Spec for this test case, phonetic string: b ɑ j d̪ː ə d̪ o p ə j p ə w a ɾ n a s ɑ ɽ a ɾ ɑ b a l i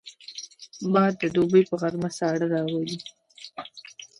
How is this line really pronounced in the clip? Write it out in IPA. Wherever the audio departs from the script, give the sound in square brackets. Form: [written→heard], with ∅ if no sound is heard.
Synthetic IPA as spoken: b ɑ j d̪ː ə d̪ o [p→b] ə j p ə [w→ɣ] a ɾ [n→m] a s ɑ ɽ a ɾ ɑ [b→w] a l i

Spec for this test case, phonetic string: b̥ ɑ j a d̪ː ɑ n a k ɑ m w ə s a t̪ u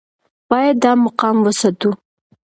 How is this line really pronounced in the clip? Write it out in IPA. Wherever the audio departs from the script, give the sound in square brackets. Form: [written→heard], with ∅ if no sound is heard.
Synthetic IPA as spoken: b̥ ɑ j a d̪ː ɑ [n→m] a [k→q] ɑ m w ə s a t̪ u

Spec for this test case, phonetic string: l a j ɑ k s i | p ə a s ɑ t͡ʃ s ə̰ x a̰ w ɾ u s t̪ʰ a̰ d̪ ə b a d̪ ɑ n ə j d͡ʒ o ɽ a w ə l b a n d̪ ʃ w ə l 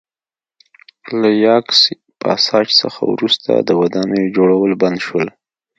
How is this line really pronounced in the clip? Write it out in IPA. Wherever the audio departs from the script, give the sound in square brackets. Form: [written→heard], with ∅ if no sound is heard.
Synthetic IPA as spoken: l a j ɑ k s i | p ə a s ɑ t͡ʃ s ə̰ x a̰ w ɾ u s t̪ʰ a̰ d̪ ə [b→w] a d̪ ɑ n ə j d͡ʒ o ɽ a w ə l b a n d̪ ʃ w ə l

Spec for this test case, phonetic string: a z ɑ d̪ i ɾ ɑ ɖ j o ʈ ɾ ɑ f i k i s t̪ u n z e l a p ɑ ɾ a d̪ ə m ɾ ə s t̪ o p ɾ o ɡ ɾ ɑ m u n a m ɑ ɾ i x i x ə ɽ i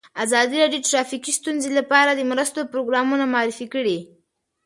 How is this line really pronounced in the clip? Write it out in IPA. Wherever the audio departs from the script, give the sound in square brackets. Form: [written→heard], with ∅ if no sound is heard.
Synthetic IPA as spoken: a z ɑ d̪ i ɾ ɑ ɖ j o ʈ ɾ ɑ f i k i s t̪ u n z e l a p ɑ ɾ a d̪ ə m ɾ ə s t̪ o p ɾ o ɡ ɾ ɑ m u n a m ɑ ɾ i [x→f] i [x→k] ə ɽ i

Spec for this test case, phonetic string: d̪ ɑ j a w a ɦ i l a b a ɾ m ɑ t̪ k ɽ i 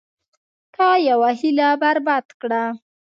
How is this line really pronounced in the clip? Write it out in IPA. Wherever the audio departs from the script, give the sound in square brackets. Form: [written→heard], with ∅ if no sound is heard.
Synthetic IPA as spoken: [d̪→t̪] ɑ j a w a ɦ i l a b a ɾ [m→b] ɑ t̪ k ɽ [i→a]

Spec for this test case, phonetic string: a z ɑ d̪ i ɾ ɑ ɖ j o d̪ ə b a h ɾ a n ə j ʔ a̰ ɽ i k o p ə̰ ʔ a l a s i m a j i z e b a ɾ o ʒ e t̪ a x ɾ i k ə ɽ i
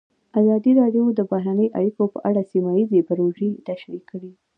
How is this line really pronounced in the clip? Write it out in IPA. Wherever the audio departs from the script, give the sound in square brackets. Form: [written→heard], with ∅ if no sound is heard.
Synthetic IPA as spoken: a z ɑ d̪ i ɾ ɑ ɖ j o d̪ ə b a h ɾ a n ə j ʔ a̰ ɽ i k o p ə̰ ʔ a [l→ɽ] a s i m a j i z e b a ɾ o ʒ e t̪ a [x→ʃ] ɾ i k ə ɽ i

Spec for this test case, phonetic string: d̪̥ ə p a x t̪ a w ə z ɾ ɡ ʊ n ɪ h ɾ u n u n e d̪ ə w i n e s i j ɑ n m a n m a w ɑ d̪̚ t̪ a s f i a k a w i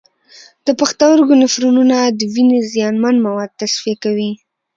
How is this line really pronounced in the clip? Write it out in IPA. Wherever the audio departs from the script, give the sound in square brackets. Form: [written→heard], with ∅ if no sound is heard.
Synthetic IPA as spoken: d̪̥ ə p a x t̪ a w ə [z→∅] ɾ ɡ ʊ n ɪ [h→f] ɾ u n u n [e→a] d̪ ə w i n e [s→z] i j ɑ n m a n m a w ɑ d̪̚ t̪ a s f i a k a w i

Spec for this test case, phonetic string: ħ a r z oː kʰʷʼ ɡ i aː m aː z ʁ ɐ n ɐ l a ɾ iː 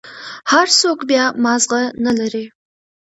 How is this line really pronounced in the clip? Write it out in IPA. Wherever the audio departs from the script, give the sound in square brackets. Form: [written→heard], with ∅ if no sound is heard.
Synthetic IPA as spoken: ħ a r [z→s] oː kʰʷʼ [ɡ→b] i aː m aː z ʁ ɐ n ɐ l [a→ɐ] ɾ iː

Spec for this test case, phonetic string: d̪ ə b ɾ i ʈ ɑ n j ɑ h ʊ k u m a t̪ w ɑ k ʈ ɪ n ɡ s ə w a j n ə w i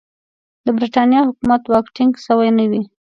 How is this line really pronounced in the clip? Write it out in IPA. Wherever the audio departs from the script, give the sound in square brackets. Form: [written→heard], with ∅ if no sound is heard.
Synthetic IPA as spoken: d̪ ə b ɾ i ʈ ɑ n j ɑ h ʊ k u m a t̪ w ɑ k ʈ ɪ [n→ŋ] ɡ s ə w a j n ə w i

